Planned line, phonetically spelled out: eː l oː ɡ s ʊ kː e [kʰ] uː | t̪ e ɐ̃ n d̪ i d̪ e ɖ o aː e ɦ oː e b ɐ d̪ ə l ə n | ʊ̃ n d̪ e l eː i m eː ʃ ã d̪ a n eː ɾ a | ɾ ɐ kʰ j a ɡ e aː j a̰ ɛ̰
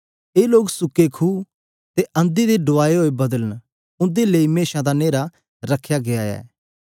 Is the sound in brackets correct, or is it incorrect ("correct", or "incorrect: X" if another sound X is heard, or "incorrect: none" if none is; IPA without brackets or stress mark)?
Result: correct